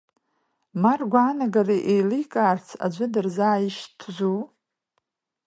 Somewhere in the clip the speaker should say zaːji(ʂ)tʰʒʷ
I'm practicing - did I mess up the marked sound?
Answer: yes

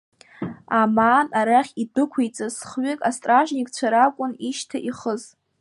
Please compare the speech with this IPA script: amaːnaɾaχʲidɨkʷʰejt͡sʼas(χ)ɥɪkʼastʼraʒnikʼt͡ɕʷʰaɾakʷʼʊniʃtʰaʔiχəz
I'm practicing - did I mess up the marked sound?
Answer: no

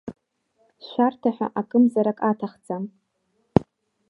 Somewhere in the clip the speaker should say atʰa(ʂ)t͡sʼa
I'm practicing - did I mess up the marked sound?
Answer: yes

